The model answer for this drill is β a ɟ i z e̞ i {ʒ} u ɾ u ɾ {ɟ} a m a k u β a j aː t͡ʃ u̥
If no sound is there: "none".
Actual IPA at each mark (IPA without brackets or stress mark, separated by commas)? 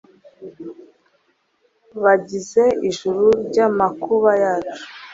ʒ, ɟ